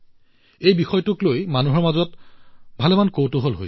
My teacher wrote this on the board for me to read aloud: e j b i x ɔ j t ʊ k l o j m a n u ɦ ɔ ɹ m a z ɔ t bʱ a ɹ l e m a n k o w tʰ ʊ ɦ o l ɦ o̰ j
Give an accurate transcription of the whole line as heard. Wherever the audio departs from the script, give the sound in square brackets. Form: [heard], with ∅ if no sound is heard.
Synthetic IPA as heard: e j b i x ɔ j t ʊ k l o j m a n u ɦ ɔ ɹ m a z ɔ t bʱ a [∅] l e m a n k o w [t] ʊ ɦ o l ɦ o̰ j

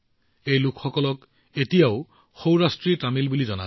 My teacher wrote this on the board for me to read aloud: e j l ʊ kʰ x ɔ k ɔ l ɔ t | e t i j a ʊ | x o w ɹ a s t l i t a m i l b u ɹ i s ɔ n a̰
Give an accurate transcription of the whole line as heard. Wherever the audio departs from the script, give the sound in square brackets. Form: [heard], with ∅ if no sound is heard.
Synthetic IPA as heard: e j l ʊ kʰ x ɔ k ɔ l ɔ [k] | e t i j a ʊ | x o w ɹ a s t [ɹ] i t a m i l b u [l] i [z] ɔ n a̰

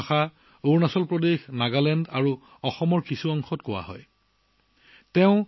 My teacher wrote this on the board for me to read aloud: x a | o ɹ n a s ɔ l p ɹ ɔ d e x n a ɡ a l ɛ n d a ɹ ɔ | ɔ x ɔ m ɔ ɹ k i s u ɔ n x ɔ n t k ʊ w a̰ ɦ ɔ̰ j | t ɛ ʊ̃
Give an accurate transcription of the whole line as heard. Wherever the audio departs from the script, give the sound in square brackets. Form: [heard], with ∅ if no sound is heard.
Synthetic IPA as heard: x a | o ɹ n a s ɔ l p ɹ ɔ d e x n a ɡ a l ɛ n d a ɹ [u] | ɔ x ɔ m ɔ ɹ k i s u ɔ [ŋ] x ɔ [∅] t k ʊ w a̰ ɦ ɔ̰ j | t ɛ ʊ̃

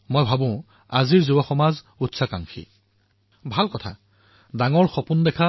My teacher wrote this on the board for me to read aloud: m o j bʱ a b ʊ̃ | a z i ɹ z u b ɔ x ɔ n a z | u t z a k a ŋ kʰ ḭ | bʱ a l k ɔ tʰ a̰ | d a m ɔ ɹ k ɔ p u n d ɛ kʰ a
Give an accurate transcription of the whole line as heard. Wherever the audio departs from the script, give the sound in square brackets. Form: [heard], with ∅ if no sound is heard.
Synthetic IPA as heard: m o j bʱ a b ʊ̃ | a z i ɹ z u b ɔ x ɔ [m] a z | u t [s] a k a ŋ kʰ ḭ | bʱ a l k ɔ tʰ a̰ | d a [ŋ] ɔ ɹ [x] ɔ p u n d ɛ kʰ a

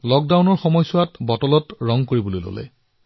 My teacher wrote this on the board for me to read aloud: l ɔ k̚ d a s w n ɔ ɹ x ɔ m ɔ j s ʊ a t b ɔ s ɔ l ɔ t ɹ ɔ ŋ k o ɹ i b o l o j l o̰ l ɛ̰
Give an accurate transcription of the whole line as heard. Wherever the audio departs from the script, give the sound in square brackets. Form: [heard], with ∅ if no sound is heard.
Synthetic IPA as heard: l ɔ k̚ d a [∅] w n ɔ ɹ x ɔ m ɔ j s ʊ a t b ɔ [t] ɔ l ɔ t ɹ ɔ ŋ k o ɹ i b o l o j l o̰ l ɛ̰

